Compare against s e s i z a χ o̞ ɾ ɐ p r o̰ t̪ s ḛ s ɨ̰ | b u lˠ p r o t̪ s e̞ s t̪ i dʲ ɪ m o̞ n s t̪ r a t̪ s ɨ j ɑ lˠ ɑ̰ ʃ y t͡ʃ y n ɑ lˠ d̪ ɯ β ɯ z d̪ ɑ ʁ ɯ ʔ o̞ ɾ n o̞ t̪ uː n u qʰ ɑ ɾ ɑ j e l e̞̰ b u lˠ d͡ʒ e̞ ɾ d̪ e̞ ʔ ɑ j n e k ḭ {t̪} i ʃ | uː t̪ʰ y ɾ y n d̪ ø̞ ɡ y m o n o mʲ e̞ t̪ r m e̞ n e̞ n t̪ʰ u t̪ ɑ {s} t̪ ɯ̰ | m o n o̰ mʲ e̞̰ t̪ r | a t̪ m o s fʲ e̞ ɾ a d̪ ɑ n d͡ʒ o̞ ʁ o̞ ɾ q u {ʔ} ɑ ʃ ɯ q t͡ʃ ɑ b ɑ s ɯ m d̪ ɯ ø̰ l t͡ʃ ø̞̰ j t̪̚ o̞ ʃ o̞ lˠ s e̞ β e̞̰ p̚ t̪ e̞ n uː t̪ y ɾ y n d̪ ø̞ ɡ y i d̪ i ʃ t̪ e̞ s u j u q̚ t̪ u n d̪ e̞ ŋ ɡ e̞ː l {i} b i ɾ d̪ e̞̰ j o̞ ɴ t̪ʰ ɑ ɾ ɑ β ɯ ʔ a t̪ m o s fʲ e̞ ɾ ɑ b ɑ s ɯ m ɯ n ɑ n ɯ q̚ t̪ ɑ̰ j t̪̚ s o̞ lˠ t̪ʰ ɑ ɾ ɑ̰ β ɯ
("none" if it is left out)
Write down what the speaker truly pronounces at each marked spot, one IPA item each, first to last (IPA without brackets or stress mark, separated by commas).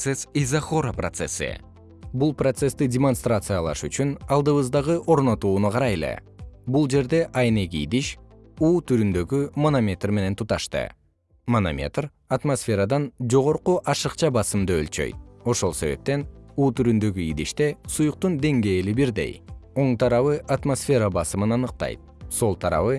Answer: d̪, ʃ, ʔ, i